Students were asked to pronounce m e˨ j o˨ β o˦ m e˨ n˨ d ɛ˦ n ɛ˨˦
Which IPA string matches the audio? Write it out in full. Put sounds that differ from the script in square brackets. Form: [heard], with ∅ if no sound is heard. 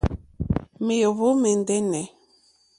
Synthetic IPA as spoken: m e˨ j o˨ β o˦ m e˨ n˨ d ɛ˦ n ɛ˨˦